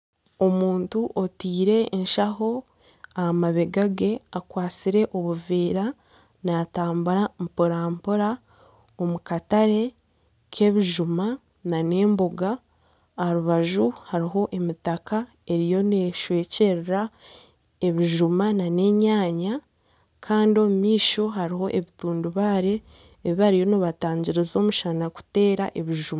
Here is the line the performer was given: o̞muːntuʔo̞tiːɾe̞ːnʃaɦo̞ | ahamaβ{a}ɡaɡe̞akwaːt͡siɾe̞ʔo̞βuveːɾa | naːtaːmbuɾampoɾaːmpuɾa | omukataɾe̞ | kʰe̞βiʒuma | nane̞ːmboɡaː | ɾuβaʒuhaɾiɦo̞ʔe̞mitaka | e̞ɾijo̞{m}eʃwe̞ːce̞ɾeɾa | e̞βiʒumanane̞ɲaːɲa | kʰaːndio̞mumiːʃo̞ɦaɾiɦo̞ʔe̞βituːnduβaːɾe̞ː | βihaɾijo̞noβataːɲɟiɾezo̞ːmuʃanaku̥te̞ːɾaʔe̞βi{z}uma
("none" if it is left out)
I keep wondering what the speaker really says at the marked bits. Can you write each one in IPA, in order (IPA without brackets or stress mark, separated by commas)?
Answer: e, n, ʒ